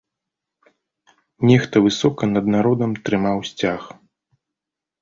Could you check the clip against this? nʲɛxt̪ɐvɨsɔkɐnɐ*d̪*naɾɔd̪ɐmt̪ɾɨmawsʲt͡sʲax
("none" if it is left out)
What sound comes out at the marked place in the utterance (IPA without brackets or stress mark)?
d̪